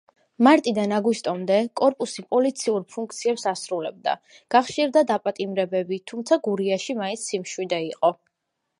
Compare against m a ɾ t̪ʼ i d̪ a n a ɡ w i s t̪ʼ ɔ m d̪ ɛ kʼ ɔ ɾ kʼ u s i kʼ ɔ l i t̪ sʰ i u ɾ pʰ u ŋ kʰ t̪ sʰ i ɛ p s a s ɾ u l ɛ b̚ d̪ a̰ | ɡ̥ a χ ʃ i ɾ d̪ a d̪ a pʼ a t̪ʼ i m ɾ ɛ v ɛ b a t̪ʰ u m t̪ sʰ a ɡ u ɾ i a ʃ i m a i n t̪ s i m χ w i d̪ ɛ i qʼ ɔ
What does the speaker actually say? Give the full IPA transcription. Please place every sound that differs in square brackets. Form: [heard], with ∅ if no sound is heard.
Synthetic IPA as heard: m a ɾ t̪ʼ i d̪ a n a ɡ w i s t̪ʼ ɔ m d̪ ɛ kʼ ɔ ɾ [pʼ] u s i [pʼ] ɔ l i t̪ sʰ i u ɾ pʰ u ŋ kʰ t̪ sʰ i ɛ p s a s ɾ u l ɛ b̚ d̪ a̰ | ɡ̥ a χ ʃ i ɾ d̪ a d̪ a pʼ a t̪ʼ i m ɾ ɛ [b] ɛ b [i] t̪ʰ u m t̪ sʰ a ɡ u ɾ i a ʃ i m a i n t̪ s i m [ʃ] w i d̪ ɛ i qʼ ɔ